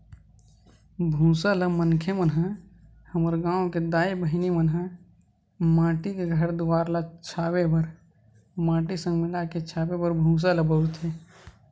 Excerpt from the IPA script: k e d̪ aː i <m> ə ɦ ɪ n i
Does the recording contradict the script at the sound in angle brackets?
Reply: yes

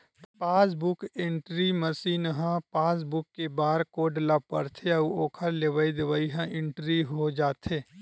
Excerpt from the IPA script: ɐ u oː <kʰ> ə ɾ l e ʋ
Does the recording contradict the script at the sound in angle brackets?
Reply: no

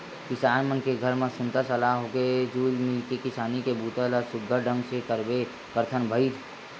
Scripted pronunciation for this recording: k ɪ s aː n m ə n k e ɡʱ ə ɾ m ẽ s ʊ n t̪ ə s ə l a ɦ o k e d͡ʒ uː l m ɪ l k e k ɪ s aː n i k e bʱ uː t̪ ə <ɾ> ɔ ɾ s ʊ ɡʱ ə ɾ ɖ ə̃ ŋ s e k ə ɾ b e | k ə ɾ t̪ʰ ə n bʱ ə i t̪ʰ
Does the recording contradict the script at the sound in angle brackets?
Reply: yes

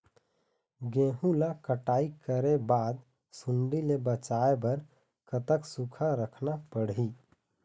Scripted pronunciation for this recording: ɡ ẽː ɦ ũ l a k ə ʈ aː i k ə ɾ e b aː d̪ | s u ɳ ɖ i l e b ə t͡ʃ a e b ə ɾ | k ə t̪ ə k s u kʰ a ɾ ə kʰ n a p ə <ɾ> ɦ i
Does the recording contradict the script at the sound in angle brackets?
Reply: yes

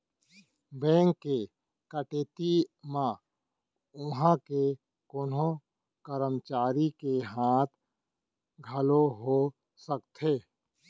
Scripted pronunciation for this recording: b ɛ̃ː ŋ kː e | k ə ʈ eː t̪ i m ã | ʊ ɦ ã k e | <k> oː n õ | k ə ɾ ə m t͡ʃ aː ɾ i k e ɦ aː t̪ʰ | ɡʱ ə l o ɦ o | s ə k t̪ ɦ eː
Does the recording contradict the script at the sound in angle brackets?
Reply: no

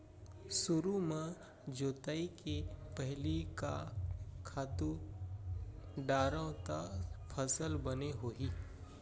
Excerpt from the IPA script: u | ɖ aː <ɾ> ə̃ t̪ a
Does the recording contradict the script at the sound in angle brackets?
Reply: no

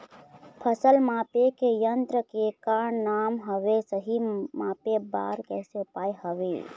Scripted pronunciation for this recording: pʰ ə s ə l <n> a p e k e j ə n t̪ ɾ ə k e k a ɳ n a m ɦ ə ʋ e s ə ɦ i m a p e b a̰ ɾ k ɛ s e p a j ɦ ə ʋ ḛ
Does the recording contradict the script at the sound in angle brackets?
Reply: yes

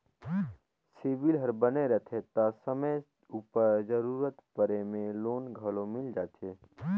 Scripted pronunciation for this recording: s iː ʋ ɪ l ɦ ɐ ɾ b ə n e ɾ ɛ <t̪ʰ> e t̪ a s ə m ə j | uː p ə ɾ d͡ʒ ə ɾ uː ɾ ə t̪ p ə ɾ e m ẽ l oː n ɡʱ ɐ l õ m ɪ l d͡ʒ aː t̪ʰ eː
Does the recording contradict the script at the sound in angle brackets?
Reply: no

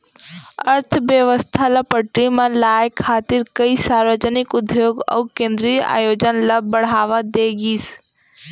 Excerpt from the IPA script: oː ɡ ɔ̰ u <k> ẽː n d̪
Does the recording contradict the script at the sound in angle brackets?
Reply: no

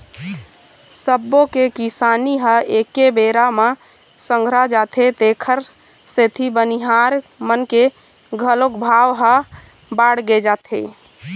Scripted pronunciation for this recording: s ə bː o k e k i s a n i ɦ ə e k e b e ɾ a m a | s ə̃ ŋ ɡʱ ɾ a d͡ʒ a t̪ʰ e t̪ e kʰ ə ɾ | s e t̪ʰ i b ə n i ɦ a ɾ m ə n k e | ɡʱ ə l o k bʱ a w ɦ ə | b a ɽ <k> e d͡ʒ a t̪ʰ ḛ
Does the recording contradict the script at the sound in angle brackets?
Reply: yes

